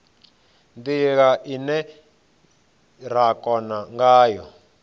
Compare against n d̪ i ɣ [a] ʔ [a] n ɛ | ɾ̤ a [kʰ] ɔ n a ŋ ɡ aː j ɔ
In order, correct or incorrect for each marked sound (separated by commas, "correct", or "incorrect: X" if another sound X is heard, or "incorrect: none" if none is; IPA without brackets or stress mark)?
correct, incorrect: i, incorrect: k